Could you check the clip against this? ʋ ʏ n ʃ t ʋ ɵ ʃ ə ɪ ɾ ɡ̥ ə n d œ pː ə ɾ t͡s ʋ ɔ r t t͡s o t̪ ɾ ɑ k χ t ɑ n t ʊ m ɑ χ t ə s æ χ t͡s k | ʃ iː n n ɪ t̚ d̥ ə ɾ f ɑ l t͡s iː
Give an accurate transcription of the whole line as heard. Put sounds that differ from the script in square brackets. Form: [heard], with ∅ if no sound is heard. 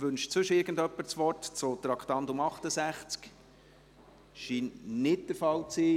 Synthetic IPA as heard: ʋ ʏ n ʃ [t͡s] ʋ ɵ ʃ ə ɪ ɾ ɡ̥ ə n d œ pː ə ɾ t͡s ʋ ɔ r t t͡s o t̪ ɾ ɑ k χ t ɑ n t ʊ m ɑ χ t ə s æ χ t͡s k | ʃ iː n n ɪ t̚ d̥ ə ɾ f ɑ l t͡s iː